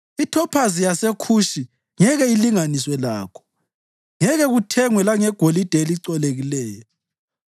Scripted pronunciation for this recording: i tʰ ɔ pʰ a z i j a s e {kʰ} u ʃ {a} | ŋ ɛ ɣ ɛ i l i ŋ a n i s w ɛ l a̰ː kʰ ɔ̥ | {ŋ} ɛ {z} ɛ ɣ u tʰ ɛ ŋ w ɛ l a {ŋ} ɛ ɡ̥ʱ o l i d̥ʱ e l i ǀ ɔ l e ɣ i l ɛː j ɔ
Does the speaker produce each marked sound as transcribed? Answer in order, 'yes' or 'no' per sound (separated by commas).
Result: yes, no, yes, no, yes